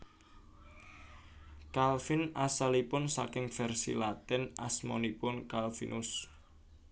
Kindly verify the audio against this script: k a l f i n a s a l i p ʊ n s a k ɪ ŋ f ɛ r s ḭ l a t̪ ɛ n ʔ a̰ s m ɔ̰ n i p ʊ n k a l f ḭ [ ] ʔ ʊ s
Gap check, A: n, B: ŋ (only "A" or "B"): A